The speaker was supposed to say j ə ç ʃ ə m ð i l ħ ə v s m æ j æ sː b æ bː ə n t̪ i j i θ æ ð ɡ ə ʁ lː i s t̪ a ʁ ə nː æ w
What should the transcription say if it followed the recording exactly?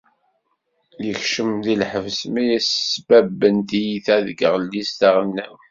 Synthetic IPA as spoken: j ə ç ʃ ə m ð i l ħ ə v s m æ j æ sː b æ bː ə n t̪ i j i θ æ ð ɡ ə ʁ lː i s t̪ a ʁ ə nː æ w